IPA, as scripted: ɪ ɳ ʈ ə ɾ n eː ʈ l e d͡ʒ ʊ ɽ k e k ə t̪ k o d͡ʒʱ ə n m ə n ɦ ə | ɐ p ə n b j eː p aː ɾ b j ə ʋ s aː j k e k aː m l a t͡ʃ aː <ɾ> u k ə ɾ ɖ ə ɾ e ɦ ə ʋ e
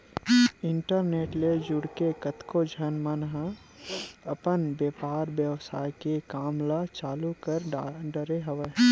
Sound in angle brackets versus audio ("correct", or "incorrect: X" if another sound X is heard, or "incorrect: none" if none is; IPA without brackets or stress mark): incorrect: l